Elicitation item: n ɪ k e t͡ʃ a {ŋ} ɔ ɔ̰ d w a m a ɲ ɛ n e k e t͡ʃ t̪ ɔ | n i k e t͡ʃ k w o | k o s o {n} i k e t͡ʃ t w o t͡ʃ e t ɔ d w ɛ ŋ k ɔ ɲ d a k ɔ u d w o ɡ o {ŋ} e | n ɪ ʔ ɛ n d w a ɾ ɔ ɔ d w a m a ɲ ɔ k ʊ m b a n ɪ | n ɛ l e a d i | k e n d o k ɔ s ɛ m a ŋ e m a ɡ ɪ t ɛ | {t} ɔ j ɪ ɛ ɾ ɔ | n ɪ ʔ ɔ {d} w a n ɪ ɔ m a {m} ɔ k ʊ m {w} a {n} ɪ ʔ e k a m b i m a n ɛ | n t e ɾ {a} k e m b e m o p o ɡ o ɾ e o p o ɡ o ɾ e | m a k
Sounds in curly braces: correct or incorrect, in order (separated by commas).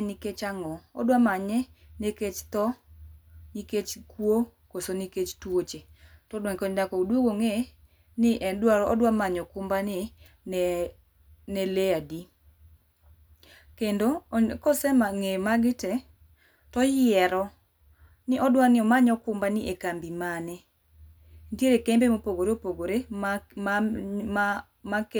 correct, correct, correct, correct, correct, incorrect, incorrect, correct, incorrect